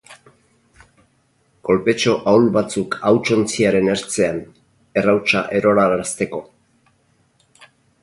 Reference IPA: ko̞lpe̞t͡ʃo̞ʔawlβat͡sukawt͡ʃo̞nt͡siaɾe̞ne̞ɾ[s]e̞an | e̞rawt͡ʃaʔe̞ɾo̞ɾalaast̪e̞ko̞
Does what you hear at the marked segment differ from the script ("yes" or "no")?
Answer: yes